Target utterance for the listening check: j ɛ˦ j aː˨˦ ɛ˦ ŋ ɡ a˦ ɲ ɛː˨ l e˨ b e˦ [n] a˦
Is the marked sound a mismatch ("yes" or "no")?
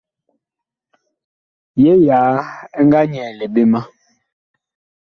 yes